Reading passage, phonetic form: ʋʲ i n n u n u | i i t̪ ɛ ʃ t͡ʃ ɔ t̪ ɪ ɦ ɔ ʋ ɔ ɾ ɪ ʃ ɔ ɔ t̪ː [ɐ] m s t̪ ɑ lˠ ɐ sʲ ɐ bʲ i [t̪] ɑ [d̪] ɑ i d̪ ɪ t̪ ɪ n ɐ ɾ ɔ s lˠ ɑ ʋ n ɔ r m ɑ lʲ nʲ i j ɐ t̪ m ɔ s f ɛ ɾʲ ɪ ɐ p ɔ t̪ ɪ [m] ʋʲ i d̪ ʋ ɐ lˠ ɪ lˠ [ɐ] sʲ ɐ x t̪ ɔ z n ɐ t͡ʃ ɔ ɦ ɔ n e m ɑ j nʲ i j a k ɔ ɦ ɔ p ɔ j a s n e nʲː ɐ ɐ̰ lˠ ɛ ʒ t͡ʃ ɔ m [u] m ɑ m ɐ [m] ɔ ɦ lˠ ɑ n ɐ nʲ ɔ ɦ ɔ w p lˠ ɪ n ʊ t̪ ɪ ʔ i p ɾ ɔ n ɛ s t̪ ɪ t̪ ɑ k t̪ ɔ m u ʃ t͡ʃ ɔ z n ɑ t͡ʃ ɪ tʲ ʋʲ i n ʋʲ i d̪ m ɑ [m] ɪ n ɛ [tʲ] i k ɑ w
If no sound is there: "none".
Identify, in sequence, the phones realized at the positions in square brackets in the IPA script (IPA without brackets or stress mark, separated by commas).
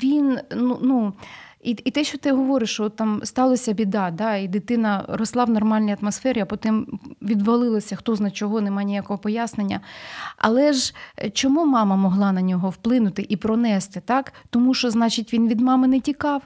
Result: ɑ, d̪, d̪, m, ɐ, u, m, m, tʲ